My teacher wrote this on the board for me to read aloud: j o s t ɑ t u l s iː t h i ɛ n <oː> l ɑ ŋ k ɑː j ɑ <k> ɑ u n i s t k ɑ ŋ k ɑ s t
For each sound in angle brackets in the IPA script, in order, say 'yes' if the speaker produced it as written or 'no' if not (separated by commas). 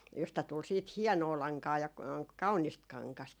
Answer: yes, yes